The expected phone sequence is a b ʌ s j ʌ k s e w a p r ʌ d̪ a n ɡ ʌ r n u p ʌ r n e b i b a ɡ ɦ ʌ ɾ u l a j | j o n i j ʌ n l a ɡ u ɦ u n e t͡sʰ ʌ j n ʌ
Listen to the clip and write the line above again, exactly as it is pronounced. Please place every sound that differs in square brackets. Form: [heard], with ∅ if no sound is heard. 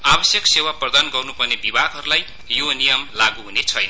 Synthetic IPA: a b ʌ s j ʌ k s e w a p r ʌ d̪ a n ɡ ʌ r n u p ʌ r n e b i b a ɡ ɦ ʌ ɾ u l a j | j o n i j ʌ [m] l a ɡ u ɦ u n e t͡sʰ ʌ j n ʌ